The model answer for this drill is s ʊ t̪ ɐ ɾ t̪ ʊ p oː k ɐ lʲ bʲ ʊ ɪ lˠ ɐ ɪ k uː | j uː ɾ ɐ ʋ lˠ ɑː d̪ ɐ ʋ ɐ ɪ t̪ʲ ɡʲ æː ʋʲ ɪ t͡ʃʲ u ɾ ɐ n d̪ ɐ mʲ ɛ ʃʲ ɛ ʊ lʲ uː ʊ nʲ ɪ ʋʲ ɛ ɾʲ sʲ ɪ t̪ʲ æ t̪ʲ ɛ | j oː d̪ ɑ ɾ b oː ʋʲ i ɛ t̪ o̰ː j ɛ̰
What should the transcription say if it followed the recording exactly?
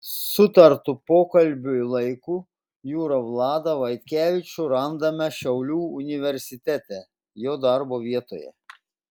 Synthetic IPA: s ʊ t̪ ɐ ɾ t̪ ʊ p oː k ɐ lʲ bʲ ʊ ɪ lˠ ɐ ɪ k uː | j uː ɾ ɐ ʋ lˠ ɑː d̪ ɐ ʋ ɐ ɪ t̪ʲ kʲ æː ʋʲ ɪ t͡ʃʲ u ɾ ɐ n d̪ ɐ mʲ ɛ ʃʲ ɛ ʊ lʲ uː ʊ nʲ ɪ ʋʲ ɛ ɾʲ sʲ ɪ t̪ʲ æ t̪ʲ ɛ | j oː d̪ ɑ ɾ b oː ʋʲ i ɛ t̪ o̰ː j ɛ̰